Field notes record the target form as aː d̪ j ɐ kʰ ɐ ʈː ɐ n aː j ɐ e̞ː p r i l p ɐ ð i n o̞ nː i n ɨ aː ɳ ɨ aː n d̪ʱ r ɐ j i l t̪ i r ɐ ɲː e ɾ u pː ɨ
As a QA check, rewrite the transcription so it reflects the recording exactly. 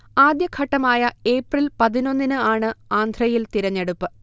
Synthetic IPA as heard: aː d̪ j ɐ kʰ ɐ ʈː ɐ m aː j ɐ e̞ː p r i l p ɐ ð i n o̞ nː i n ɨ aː ɳ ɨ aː n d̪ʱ r ɐ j i l t̪ i ɾ ɐ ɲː e ɽ u pː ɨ

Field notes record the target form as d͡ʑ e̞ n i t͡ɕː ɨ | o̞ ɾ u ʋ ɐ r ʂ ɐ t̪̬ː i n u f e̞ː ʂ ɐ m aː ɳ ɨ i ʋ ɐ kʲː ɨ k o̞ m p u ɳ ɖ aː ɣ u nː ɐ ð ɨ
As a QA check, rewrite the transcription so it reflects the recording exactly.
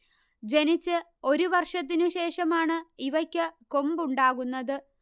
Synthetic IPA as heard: d͡ʑ e̞ n i t͡ɕː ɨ | o̞ ɾ u ʋ ɐ r ʂ ɐ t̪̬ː i n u ɕ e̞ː ʂ ɐ m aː ɳ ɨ i ʋ ɐ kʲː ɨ k o̞ m b u ɳ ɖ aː ɣ u nː ɐ ð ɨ

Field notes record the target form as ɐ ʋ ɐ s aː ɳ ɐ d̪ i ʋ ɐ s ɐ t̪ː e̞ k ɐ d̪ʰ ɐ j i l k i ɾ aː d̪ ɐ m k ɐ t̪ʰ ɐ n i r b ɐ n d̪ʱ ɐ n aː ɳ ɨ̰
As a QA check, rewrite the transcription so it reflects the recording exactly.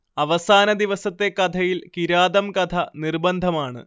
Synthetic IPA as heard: ɐ ʋ ɐ s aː n ɐ d̪ i ʋ ɐ s ɐ t̪ː e̞ k ɐ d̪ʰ ɐ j i l k i ɾ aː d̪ ɐ m k ɐ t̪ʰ ɐ n i r b ɐ n d̪ʱ ɐ m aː ɳ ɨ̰

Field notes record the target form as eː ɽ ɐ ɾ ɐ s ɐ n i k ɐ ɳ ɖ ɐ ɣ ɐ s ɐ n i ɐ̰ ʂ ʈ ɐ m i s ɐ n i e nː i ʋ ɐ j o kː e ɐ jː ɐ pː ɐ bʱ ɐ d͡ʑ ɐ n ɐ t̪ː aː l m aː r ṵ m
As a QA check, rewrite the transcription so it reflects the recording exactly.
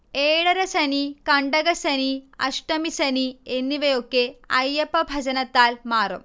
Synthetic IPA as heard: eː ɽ ɐ ɾ ɐ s ɐ n i k ɐ ɳ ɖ ɐ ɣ ɐ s ɐ n i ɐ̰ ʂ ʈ ɐ m i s ɐ n i e nː i ʋ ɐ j o kː e ɐ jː ɐ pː ɐ bʱ ɐ d͡ʑ ɐ n ɐ t̪ː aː l m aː r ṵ m

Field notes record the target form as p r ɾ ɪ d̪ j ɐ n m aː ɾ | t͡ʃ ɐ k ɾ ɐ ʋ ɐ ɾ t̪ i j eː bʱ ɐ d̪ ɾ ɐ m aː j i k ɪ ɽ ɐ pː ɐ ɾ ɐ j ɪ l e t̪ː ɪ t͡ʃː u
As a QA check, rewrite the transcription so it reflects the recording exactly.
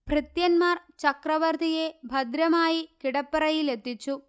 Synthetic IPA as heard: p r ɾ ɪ t̪ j ɐ n m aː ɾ | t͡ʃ ɐ k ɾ ɐ ʋ ɐ ɾ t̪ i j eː bʱ ɐ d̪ ɾ ɐ m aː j i k ɪ ɽ ɐ pː ɐ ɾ ɐ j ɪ l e t̪ː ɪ t͡ʃː u

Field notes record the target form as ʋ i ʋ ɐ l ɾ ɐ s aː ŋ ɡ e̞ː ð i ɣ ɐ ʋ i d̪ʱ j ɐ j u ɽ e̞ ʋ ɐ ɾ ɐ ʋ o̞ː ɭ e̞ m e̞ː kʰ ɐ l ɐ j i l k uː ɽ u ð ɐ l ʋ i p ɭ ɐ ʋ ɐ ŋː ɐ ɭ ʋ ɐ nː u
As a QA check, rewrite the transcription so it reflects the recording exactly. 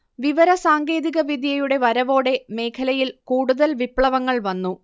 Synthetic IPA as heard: ʋ i ʋ ɐ ɾ ɐ s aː ŋ ɡ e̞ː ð i ɣ ɐ ʋ i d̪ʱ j ɐ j u ɽ e̞ ʋ ɐ ɾ ɐ ʋ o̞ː ɽ e̞ m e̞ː kʰ ɐ l ɐ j i l k uː ɽ u ð ɐ l ʋ i p ɭ ɐ ʋ ɐ ŋː ɐ ɭ ʋ ɐ nː u

